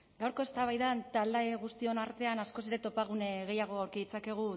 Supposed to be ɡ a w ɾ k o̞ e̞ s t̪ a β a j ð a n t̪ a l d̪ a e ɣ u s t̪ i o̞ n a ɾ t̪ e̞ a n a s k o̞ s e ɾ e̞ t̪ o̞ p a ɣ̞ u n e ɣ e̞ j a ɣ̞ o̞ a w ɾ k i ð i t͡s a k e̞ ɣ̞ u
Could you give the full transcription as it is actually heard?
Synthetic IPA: ɡ a w ɾ k o̞ e̞ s t̪ a β a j ð a n t̪ a l d̪ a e ɣ u s t̪ i o̞ n a ɾ t̪ e̞ a n a s k o̞ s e ɾ e̞ t̪ o̞ p a ɣ̞ u n e ɣ e̞ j a ɣ̞ o̞ a w ɾ k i ð i t͡s a k e̞ ɣ̞ u